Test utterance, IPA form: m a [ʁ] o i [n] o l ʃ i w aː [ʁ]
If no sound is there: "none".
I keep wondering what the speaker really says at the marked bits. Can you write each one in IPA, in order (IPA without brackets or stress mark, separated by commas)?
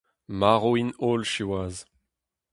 ʁ, n, z